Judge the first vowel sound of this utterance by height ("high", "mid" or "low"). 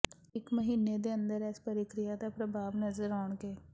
high